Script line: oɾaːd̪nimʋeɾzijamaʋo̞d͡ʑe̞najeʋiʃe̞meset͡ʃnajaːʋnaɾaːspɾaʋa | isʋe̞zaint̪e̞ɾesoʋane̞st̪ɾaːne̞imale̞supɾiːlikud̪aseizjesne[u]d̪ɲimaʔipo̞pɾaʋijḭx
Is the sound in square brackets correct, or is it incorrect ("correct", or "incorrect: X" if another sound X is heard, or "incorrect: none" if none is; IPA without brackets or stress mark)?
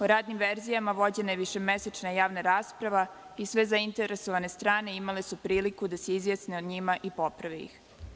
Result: incorrect: o